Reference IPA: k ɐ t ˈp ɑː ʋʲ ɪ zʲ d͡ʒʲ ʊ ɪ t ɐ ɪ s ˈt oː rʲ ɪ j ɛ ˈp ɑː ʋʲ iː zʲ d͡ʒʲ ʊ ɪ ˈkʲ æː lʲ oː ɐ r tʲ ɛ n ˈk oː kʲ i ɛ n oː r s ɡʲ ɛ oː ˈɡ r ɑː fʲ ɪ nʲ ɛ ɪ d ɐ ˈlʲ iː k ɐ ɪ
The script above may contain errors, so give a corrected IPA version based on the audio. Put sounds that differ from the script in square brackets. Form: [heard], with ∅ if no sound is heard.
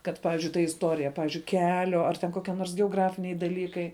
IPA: k ɐ t ˈp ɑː ʋʲ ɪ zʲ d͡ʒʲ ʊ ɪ t ɐ ɪ s ˈt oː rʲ ɪ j ɛ ˈp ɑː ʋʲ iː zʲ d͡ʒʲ ʊ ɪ ˈkʲ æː lʲ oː ɐ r tʲ ɛ n ˈk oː kʲ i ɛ n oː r s ɡʲ ɛ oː ˈɡ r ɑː fʲ ɪ nʲ ɛ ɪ d ɐ ˈlʲ iː k ɐ ɪ